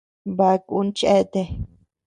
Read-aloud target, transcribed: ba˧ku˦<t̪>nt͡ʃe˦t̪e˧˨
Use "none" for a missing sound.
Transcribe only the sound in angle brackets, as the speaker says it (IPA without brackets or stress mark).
none